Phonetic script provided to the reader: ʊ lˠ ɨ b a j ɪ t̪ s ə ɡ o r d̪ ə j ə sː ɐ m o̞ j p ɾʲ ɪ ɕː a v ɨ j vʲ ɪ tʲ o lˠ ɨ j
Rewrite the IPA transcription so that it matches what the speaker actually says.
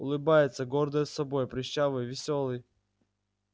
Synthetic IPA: ʊ lˠ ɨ b a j ɪ t̪ s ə ɡ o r d̪ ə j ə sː ɐ b o̞ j p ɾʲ ɪ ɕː a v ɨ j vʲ ɪ sʲ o lˠ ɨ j